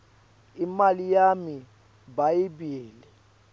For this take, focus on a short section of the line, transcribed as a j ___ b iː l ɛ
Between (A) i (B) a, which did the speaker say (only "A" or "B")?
A